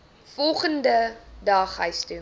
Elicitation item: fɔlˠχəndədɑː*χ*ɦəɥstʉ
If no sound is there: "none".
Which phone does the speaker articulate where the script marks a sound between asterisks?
χ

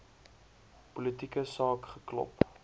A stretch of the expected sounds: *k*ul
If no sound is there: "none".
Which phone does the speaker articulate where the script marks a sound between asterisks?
p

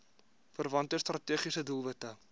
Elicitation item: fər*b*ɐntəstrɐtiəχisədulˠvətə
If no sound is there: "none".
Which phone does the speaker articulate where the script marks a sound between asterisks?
v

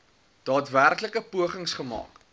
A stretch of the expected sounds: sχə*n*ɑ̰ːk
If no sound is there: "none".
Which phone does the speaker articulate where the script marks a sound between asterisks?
m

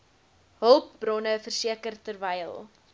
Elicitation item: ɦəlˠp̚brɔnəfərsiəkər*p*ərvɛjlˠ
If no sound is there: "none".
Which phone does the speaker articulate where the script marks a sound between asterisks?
t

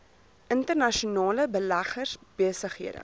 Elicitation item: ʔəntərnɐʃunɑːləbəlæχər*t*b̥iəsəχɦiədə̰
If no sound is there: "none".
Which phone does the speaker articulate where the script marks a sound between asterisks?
s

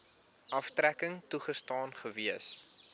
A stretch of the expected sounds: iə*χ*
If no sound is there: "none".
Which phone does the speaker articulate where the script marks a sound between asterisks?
s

